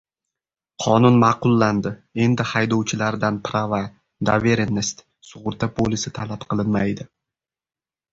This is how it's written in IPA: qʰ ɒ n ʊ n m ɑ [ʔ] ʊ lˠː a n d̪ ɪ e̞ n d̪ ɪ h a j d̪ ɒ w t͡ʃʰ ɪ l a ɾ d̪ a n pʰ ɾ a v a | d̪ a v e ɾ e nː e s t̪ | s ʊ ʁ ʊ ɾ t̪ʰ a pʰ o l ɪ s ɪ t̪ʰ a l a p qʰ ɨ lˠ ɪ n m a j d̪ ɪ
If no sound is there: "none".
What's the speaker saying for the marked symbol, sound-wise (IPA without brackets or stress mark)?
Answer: q